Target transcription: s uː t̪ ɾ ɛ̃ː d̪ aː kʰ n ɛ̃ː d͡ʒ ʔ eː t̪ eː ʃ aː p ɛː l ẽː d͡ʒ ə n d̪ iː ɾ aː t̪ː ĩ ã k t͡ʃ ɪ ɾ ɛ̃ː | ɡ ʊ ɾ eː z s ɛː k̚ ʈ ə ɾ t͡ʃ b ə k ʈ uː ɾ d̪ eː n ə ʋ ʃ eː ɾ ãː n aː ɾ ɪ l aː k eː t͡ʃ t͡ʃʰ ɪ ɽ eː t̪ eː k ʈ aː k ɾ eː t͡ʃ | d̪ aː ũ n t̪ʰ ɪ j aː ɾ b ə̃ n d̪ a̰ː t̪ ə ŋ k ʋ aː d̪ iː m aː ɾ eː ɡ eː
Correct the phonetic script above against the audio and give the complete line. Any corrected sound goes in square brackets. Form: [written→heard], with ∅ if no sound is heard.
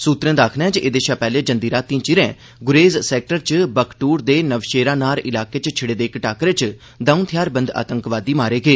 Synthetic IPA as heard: s uː t̪ ɾ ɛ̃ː d̪ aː kʰ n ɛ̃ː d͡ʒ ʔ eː [t̪→d̪] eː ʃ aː p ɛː l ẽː d͡ʒ ə n d̪ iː ɾ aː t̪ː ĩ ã [k→∅] t͡ʃ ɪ ɾ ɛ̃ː | ɡ ʊ ɾ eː z s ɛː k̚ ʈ ə ɾ t͡ʃ b ə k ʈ uː ɾ d̪ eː n ə ʋ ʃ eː ɾ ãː n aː ɾ ɪ l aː k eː t͡ʃ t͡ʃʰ ɪ ɽ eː [t̪→d̪] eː k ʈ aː k ɾ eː t͡ʃ | d̪ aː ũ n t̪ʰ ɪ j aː ɾ b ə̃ n d̪ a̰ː t̪ ə ŋ k ʋ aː d̪ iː m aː ɾ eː ɡ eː